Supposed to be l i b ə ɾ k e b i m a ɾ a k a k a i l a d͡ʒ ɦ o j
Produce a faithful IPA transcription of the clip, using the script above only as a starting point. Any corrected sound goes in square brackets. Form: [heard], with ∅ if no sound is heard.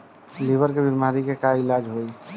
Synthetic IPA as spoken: l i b ə ɾ k e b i m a ɾ [i] k [e] k a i l a d͡ʒ ɦ o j